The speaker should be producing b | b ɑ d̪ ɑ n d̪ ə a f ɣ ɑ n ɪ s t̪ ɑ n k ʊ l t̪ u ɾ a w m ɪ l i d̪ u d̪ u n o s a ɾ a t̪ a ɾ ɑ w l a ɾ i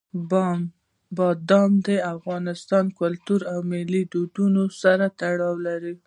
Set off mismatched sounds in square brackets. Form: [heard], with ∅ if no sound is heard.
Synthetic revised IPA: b | b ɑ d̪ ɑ [m] d̪ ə a f ɣ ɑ n ɪ s t̪ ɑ n k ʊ l t̪ u ɾ a w m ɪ l i d̪ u d̪ u n o s a ɾ a t̪ a [ɽ] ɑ w l a ɾ i